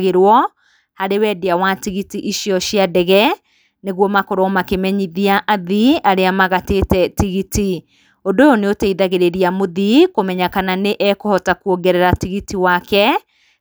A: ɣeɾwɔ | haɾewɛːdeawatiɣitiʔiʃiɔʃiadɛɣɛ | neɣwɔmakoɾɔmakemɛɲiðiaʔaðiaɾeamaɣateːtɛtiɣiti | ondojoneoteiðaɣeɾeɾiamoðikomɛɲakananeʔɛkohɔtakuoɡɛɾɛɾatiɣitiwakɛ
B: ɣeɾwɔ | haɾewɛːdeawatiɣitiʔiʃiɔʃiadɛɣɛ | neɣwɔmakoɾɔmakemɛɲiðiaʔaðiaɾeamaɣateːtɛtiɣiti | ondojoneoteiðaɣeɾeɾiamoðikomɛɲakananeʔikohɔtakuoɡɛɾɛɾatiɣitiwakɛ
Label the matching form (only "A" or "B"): A